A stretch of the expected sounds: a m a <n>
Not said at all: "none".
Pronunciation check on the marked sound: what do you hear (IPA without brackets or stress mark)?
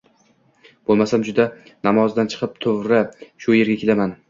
n